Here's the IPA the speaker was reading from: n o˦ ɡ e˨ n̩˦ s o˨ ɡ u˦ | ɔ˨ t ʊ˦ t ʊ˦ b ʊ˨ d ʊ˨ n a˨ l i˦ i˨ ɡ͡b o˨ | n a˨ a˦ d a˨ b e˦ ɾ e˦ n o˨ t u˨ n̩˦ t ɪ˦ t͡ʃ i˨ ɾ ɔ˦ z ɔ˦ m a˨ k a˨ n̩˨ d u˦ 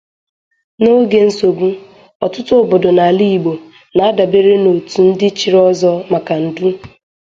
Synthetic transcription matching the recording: n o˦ ɡ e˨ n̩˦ s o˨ ɡ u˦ | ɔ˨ t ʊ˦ t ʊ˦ b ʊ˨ d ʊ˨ n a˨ l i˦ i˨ ɡ͡b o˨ | n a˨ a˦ d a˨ b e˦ ɾ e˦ n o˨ t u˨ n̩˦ d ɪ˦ t͡ʃ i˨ ɾ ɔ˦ z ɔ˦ m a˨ k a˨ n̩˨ d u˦